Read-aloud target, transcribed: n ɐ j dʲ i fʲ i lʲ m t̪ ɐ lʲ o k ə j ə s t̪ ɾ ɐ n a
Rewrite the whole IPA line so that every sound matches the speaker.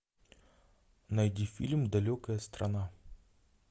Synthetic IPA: n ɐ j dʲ i fʲ i lʲ m d̪ ɐ lʲ o k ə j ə s t̪ ɾ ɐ n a